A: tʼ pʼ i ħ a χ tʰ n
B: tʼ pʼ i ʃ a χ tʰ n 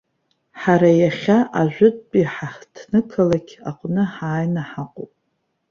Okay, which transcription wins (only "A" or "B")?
A